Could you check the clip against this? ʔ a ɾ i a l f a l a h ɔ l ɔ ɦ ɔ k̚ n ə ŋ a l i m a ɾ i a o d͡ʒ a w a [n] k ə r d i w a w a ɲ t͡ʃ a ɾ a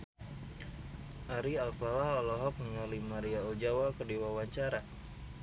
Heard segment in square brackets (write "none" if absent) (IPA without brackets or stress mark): none